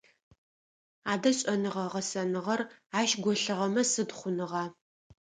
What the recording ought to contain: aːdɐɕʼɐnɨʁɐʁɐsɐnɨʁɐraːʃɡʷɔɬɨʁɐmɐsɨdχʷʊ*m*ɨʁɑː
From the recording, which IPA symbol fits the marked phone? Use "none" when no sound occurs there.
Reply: n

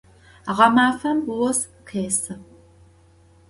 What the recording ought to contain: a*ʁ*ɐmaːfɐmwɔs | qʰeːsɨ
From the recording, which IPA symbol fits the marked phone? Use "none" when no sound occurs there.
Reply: ʁ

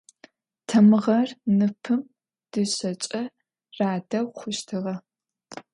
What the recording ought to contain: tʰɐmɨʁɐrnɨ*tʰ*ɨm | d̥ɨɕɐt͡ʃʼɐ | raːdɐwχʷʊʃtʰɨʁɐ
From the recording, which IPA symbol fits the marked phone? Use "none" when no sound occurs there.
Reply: pʰ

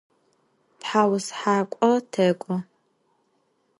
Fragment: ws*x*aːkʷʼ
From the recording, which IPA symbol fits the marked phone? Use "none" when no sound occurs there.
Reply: ħ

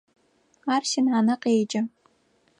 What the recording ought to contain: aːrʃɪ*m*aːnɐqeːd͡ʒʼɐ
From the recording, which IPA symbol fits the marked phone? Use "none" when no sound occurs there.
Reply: n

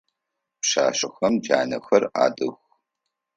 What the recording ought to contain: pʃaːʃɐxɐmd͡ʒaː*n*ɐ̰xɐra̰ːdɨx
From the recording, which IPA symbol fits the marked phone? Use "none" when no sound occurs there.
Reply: n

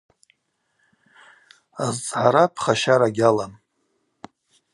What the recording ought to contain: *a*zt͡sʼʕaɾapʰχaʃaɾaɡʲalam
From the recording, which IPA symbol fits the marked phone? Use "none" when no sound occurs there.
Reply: a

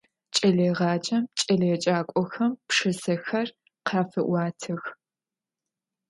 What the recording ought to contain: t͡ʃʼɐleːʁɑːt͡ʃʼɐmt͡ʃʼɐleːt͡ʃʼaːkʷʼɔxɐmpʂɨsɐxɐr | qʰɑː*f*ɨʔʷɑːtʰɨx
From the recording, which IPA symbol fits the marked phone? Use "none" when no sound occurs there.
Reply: f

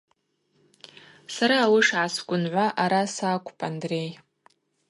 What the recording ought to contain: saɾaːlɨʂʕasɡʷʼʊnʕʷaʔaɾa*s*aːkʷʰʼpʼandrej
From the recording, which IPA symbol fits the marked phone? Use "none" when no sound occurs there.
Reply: s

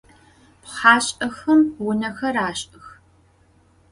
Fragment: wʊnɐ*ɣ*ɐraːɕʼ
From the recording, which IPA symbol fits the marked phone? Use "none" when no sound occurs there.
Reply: x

